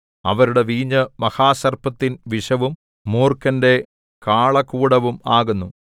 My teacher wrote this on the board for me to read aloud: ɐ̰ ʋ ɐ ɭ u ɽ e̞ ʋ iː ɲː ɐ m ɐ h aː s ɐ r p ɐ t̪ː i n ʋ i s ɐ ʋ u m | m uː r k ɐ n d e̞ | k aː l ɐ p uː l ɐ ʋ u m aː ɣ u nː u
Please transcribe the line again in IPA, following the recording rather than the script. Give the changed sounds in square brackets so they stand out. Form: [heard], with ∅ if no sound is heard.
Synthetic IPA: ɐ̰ ʋ ɐ [ɾ] u ɽ e̞ ʋ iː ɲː ɐ m ɐ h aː s ɐ r p ɐ t̪ː i n ʋ i [ʂ] ɐ ʋ u m | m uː r k ɐ n d e̞ | k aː [ɭ] ɐ [k] uː [ɽ] ɐ ʋ u m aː ɣ u nː u